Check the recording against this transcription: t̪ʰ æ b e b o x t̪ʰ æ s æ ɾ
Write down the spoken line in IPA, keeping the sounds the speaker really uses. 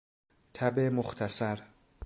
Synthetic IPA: t̪ʰ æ b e m o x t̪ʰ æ s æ ɾ